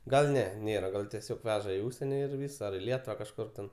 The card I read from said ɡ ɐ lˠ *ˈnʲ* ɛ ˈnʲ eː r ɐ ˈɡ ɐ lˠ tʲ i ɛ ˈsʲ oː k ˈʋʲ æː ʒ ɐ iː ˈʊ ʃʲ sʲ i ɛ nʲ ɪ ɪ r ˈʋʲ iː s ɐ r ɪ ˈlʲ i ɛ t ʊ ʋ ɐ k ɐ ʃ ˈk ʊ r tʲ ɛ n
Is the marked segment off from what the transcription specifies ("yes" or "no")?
no